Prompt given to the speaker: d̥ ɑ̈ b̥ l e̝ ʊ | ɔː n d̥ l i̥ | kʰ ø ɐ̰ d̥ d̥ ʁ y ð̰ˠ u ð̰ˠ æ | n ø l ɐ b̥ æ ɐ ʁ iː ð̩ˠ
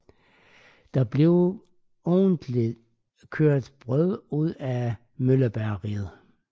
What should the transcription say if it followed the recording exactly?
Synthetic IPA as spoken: d̥ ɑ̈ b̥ l e̝ ʊ | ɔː n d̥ l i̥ | kʰ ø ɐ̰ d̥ b̥ ʁ œ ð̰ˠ u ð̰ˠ æ | m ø l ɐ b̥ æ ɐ ʁ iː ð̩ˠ